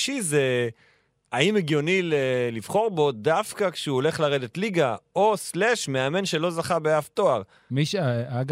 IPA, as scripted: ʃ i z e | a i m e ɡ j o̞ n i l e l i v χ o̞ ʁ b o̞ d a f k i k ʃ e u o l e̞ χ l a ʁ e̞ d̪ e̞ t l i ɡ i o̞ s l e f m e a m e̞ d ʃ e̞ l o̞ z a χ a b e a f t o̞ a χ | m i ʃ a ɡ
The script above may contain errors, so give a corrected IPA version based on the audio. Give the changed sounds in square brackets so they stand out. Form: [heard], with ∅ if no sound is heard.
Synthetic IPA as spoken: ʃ i z e | a i m e ɡ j o̞ n i l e l i v χ o̞ ʁ b o̞ d a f k [a] k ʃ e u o l e̞ χ l a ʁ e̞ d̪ e̞ t l i ɡ [a] o̞ s l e [ʃ] m e a m e̞ [n] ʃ e̞ l o̞ z a χ a b e a f t o̞ a [ʁ] | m i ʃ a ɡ